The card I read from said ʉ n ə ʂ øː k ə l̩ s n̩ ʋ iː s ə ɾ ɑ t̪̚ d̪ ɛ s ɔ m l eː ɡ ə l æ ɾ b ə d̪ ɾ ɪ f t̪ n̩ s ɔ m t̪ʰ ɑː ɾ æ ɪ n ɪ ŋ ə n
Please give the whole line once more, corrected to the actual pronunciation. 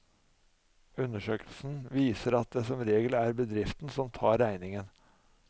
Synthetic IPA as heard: ʉ n ə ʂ øː k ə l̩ s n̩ ʋ iː s ə ɾ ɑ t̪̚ d̪ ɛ s ɔ m ɾ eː ɡ ə l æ ɾ b ə d̪ ɾ ɪ f t̪ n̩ s ɔ m t̪ʰ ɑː ɾ æ ɪ n ɪ ŋ ə n